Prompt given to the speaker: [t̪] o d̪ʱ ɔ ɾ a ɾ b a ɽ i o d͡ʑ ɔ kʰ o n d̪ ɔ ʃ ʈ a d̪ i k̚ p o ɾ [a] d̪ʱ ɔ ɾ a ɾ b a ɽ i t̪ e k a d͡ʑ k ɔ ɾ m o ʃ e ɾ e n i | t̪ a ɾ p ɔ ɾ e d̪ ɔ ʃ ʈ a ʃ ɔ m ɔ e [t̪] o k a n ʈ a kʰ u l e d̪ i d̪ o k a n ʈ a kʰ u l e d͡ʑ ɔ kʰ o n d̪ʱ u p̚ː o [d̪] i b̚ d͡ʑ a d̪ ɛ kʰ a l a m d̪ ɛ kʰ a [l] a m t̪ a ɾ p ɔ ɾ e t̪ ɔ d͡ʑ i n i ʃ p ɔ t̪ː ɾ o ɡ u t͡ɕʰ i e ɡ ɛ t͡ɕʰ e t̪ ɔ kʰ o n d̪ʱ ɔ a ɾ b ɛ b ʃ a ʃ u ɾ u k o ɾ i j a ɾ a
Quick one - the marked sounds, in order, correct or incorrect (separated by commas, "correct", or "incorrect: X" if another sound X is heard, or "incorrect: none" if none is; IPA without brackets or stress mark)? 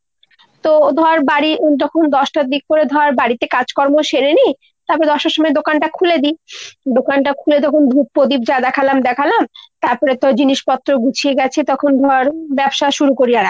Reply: correct, incorrect: e, incorrect: d̪, correct, correct